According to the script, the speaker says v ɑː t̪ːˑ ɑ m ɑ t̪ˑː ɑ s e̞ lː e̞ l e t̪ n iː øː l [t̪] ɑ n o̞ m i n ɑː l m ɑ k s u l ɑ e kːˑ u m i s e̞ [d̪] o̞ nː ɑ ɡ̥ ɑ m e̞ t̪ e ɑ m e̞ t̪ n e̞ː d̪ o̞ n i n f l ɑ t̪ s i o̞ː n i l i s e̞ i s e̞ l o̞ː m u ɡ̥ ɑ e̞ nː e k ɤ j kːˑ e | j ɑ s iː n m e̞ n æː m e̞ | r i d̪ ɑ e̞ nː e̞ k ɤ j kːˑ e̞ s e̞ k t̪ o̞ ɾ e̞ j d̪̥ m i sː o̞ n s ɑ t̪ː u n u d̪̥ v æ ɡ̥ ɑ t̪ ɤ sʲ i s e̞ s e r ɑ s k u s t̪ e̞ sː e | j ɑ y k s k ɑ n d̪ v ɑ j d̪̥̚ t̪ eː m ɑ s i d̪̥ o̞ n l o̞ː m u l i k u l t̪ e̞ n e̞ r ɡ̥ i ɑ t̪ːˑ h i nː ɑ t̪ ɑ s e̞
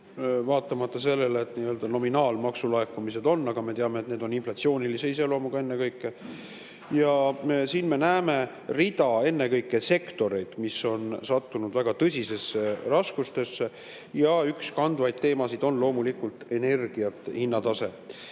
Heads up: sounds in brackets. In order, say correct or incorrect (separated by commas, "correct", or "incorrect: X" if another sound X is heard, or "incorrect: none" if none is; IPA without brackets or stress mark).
incorrect: d̪, correct